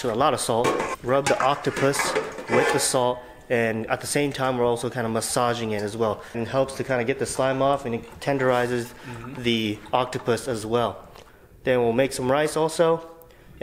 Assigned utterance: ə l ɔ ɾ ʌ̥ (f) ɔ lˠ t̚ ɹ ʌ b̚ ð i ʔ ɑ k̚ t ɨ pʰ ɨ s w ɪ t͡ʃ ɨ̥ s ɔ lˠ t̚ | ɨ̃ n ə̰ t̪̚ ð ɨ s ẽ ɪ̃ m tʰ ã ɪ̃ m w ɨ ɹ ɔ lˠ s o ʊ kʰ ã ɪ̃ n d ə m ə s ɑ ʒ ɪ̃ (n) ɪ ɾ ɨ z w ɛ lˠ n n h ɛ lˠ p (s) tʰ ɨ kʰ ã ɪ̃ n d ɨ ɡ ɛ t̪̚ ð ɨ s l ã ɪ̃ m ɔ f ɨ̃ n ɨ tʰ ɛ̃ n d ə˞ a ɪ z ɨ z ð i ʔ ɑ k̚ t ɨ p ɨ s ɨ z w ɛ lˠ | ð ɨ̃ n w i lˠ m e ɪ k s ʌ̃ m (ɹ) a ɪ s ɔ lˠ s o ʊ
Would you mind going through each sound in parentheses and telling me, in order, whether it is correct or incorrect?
incorrect: s, incorrect: ŋ, correct, correct

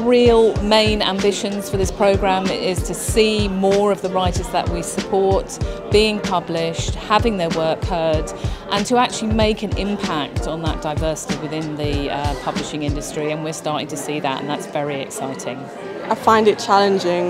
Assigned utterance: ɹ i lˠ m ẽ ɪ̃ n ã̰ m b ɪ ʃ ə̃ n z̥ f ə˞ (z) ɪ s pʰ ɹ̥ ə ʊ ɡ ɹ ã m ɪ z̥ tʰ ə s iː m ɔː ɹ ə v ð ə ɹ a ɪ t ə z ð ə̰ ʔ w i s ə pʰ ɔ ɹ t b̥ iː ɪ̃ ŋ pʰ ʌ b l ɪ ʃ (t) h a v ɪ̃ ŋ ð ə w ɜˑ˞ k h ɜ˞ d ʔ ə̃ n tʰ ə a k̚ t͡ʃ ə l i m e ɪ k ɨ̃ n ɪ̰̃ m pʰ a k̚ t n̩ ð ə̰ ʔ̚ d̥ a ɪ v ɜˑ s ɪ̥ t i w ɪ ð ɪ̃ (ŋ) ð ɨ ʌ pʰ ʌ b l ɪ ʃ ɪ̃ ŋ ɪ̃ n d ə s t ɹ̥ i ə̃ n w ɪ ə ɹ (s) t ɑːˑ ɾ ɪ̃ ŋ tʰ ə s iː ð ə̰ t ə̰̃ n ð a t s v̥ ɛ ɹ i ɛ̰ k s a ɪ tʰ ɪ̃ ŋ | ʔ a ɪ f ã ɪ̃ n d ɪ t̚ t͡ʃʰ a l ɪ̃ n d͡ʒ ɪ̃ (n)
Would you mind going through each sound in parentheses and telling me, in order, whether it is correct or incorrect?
incorrect: ð, correct, incorrect: n, correct, incorrect: ŋ

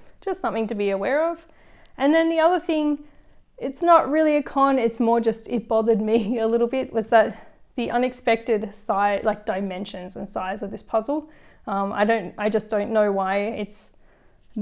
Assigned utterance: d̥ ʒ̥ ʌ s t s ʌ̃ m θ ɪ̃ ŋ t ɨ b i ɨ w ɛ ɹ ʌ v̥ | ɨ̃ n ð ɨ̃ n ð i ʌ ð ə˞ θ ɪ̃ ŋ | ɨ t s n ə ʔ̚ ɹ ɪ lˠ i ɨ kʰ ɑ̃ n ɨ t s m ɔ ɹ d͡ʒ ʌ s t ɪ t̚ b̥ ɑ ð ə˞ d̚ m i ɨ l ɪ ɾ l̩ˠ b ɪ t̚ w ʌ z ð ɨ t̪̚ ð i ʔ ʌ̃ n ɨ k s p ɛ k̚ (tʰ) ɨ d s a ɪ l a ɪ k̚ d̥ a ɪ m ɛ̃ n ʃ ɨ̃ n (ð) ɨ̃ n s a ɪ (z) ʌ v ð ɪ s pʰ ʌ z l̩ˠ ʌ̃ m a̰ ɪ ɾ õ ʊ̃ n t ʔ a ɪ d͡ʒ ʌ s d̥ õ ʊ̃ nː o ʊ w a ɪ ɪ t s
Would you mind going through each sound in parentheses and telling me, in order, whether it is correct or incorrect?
incorrect: t, incorrect: z, correct

